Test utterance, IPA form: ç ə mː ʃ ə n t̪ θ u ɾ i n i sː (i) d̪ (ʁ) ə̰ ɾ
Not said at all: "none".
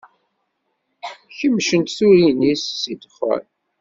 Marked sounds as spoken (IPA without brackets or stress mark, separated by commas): i, χ